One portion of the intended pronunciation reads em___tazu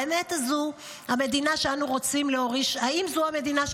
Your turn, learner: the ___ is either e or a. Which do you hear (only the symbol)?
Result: e